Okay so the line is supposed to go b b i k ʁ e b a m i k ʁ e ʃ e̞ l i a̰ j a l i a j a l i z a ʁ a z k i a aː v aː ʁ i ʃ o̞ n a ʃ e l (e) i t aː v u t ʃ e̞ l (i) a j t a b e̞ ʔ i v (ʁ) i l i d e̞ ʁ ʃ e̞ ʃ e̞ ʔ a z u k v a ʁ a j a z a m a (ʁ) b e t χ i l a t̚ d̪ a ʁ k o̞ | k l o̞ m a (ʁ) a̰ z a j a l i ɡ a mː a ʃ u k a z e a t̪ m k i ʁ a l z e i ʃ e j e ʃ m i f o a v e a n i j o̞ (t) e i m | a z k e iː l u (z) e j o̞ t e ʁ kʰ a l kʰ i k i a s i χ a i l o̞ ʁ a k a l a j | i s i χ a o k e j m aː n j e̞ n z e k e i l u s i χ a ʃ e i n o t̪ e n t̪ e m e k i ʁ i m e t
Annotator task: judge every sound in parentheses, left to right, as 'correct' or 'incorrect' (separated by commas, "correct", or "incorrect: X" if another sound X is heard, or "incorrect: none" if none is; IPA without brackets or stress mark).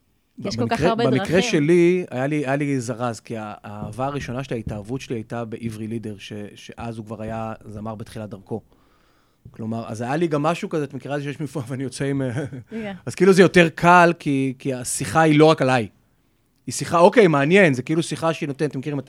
incorrect: a, correct, correct, correct, correct, incorrect: t͡s, correct